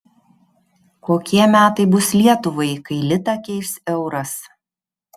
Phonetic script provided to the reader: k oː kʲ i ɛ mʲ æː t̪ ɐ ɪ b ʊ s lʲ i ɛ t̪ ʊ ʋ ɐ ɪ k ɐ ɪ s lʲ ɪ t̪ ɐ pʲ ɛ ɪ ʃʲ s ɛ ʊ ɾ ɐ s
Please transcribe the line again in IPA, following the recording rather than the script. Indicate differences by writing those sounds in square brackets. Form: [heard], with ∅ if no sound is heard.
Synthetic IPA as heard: k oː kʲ i ɛ mʲ æː t̪ ɐ ɪ b ʊ s lʲ i ɛ t̪ ʊ ʋ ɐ ɪ k ɐ ɪ [∅] lʲ ɪ t̪ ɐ [kʲ] ɛ ɪ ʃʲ s ɛ ʊ ɾ ɐ s